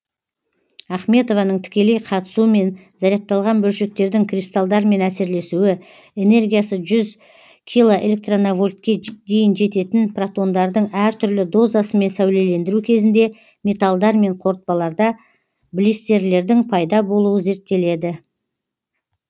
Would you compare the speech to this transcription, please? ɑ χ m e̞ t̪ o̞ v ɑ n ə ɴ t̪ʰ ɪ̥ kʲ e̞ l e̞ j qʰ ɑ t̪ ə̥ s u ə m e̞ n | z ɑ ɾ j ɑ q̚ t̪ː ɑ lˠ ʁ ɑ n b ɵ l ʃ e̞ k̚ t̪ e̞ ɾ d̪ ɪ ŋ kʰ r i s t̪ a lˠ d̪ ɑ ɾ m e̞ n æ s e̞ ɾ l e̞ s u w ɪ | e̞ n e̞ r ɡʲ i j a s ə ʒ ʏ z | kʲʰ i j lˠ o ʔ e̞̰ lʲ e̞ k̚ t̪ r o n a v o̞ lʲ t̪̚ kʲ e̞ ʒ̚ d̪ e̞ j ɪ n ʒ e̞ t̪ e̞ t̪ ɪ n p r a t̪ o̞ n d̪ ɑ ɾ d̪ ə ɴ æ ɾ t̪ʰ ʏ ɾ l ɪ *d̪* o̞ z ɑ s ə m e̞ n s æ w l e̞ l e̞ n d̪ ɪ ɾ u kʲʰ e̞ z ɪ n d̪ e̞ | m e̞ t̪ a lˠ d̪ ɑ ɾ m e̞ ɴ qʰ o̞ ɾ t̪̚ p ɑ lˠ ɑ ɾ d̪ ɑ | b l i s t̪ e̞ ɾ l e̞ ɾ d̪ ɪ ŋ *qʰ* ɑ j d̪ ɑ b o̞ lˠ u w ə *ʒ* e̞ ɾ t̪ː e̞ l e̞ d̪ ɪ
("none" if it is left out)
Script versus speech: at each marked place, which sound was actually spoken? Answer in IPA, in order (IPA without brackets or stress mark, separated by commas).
d̪, pʰ, z